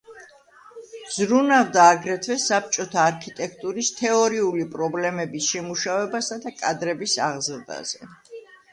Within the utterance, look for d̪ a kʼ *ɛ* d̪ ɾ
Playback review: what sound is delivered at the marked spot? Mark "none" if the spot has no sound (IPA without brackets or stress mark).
a